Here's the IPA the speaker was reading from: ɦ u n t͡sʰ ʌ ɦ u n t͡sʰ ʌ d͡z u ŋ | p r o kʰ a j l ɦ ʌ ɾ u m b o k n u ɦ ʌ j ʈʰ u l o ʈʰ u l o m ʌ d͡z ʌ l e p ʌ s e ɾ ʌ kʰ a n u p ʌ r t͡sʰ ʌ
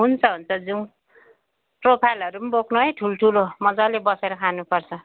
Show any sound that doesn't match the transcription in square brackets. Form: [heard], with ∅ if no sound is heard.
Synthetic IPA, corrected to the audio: ɦ u n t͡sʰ ʌ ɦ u n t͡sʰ ʌ d͡z u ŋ | p r o [pʰ] a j l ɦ ʌ ɾ u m b o k n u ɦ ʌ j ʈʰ u l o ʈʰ u l o m ʌ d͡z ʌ l e [b] ʌ s e ɾ ʌ kʰ a n u p ʌ r t͡sʰ ʌ